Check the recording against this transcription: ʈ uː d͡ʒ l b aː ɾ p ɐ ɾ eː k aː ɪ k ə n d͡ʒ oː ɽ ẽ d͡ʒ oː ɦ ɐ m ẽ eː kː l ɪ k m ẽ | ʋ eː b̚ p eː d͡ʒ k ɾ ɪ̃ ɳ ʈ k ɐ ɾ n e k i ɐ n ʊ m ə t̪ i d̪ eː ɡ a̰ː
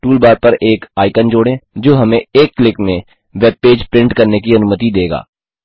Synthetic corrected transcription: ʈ uː l b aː ɾ p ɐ ɾ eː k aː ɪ k ə n d͡ʒ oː ɽ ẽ d͡ʒ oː ɦ ɐ m ẽ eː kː l ɪ k m ẽ | ʋ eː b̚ p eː d͡ʒ p ɾ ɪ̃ ɳ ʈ k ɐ ɾ n e k i ɐ n ʊ m ə t̪ i d̪ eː ɡ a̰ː